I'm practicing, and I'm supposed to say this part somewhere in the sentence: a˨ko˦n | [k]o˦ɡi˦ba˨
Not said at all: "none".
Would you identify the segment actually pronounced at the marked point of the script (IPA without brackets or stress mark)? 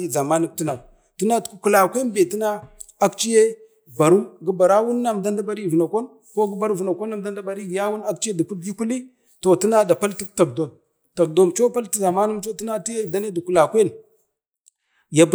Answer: k